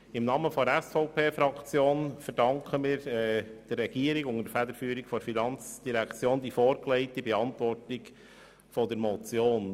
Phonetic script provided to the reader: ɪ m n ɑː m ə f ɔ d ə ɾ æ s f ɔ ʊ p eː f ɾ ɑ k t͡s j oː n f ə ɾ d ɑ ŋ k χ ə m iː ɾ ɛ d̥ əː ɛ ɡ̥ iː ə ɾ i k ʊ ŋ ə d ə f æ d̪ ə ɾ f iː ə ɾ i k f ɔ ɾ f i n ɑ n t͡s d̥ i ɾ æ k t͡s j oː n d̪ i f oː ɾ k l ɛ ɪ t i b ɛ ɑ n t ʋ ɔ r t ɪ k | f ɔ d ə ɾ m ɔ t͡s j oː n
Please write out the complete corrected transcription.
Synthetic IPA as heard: ɪ m n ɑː m ə f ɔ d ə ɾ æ s f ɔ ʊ p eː f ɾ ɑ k t͡s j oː n f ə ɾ d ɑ ŋ k χ ə m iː ɾ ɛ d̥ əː ɛ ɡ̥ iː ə ɾ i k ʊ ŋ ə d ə f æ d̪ ə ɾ f yː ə ɾ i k f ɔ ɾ f i n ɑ n t͡s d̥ i ɾ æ k t͡s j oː n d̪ i f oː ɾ k l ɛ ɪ t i b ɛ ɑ n t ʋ ɔ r t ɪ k | f ɔ d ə ɾ m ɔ t͡s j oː n